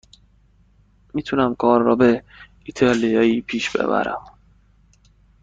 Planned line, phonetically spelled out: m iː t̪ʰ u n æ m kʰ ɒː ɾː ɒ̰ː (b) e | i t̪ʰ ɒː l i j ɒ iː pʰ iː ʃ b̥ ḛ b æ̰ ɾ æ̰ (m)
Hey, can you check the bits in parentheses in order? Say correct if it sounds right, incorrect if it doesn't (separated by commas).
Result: correct, correct